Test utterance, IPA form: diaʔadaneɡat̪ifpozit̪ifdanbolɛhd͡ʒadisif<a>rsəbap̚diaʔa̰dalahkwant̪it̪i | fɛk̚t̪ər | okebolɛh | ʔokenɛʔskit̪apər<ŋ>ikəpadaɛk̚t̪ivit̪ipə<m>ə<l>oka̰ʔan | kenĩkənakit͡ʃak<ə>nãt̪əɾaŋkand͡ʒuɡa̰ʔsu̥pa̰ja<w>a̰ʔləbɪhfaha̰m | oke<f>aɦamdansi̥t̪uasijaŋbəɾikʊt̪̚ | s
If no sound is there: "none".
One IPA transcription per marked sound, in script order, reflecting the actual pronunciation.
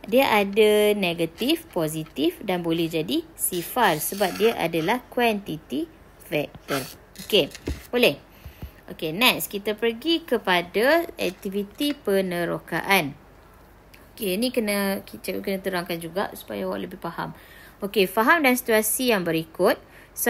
a, ɡ, n, ɾ, ə, w, f

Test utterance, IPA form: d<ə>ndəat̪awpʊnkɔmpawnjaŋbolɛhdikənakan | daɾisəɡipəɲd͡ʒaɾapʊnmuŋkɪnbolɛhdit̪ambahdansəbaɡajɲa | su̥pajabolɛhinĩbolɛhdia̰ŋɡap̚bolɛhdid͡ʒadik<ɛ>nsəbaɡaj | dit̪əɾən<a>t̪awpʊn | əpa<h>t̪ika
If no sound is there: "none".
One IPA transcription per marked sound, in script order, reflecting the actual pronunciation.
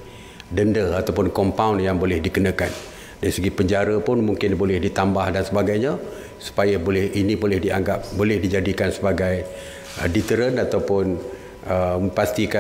ə, a, a, s

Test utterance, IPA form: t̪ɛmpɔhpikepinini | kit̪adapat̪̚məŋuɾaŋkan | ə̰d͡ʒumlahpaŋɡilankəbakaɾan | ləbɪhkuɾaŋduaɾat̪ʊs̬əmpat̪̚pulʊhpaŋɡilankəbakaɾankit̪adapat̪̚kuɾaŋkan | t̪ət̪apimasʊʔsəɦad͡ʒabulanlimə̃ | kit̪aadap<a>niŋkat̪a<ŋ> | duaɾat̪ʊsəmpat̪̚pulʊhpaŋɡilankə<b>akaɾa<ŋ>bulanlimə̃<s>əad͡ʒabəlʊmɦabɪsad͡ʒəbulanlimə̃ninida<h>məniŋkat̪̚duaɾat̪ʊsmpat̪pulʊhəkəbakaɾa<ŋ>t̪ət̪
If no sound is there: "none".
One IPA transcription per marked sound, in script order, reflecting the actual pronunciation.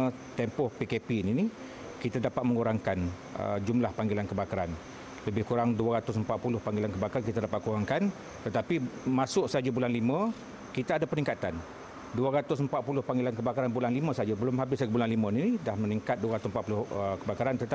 ə, n, b, n, s, h, n

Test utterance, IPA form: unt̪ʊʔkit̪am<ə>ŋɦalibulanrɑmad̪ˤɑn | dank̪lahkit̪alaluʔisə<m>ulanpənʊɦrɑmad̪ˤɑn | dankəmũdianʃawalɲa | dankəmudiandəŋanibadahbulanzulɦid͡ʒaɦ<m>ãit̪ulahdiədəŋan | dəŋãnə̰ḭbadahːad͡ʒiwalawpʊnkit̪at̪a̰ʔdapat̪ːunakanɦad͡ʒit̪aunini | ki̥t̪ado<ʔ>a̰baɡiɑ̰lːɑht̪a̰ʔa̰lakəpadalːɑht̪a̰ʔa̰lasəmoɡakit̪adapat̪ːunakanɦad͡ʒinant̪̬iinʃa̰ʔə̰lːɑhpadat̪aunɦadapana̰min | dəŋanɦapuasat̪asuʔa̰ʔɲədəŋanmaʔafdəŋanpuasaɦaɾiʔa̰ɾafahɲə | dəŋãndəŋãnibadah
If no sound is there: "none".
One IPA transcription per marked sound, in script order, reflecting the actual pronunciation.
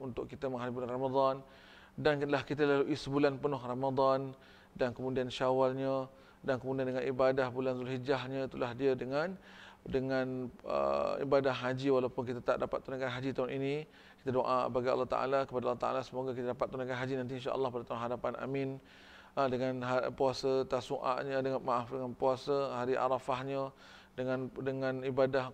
ə, b, ɲ, ʔ

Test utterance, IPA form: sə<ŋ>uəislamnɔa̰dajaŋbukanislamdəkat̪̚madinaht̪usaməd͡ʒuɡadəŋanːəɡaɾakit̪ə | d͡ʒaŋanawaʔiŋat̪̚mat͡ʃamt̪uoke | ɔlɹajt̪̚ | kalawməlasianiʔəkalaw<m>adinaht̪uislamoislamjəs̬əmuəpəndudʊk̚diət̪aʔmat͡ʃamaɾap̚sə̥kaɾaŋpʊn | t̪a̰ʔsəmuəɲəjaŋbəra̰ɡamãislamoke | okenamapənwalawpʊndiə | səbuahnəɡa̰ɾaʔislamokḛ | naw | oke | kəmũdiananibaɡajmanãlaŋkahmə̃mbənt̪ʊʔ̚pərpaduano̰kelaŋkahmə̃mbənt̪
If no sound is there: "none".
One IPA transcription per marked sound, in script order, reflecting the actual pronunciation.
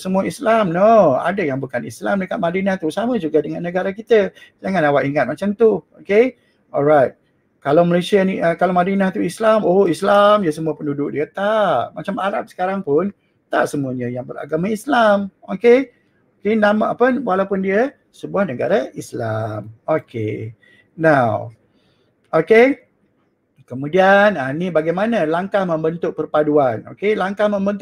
m, m

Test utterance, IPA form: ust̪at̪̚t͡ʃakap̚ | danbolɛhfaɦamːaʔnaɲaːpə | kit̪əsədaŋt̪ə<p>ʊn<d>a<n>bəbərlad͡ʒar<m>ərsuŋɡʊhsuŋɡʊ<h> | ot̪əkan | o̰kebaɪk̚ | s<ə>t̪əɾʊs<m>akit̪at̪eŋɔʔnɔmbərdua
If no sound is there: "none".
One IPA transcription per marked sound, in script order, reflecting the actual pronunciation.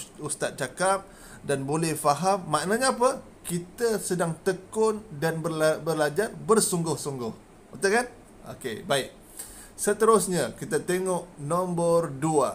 k, d, n, b, h, ə, ɲ

